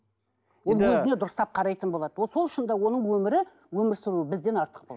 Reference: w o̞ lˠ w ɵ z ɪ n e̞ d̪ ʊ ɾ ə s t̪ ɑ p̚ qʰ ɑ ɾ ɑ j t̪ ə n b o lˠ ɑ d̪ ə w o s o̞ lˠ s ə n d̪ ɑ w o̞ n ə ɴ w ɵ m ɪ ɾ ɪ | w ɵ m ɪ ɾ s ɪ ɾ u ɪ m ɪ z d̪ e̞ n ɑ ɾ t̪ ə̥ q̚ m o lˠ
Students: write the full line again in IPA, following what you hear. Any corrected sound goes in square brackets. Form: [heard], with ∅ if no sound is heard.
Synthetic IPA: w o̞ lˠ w ɵ z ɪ n e̞ d̪ ʊ ɾ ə s t̪ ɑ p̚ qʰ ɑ ɾ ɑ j t̪ ə n b o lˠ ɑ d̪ ə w o s o̞ lˠ [ʃ] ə n d̪ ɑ w o̞ n ə ɴ w ɵ m ɪ ɾ ɪ | w ɵ m ɪ ɾ s ɪ ɾ u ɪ [b] ɪ z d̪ e̞ n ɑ ɾ t̪ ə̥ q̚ [b] o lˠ